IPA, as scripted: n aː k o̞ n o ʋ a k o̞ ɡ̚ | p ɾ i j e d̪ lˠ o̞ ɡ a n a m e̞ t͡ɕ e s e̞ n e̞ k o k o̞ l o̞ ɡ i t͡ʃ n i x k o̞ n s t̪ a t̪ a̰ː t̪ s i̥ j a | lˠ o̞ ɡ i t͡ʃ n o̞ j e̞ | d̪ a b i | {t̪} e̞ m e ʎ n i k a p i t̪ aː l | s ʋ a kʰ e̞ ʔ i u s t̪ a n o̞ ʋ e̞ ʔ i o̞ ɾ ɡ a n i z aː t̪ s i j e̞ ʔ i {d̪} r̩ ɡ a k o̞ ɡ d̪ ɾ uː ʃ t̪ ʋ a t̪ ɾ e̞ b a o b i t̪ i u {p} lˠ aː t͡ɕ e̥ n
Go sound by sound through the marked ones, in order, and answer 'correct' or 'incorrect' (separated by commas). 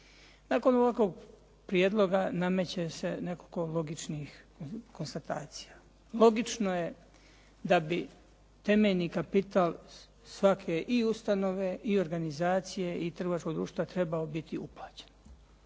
correct, incorrect, correct